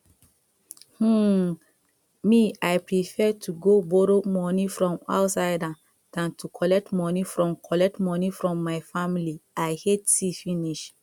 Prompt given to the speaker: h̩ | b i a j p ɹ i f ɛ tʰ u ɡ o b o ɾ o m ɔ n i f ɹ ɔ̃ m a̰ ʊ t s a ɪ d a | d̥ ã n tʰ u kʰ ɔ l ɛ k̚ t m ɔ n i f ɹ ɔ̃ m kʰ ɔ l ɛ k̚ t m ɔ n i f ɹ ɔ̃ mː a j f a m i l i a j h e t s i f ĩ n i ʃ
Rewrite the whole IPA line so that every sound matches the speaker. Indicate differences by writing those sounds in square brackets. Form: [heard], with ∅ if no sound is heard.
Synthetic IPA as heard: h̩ | [m] i a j p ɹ i f ɛ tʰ u ɡ o b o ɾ o m ɔ n i f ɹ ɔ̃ m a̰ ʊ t s a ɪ d a | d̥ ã n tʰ u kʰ ɔ l ɛ k̚ t m ɔ n i f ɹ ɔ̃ m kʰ ɔ l ɛ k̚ t m ɔ n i f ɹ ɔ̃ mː a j f a m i l i a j h e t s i f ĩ n i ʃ